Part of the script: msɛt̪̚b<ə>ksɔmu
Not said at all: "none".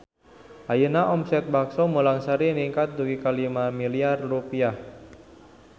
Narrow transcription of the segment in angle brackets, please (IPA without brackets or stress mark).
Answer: a